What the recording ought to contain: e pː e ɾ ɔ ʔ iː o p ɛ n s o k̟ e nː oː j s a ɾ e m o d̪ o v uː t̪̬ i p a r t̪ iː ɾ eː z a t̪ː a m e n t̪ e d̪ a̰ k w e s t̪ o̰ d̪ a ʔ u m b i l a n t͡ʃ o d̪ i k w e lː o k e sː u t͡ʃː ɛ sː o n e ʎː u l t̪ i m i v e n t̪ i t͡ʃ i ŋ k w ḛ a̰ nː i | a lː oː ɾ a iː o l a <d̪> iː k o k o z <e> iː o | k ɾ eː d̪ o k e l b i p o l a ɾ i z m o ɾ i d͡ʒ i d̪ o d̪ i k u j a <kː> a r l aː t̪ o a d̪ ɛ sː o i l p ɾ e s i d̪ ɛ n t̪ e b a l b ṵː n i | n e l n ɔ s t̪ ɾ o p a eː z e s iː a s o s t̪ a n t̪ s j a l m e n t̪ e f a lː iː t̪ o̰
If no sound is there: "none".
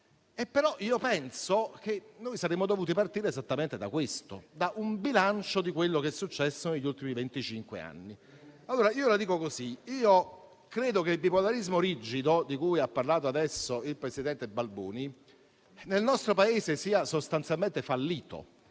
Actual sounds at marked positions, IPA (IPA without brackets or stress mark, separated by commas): d̪, i, pː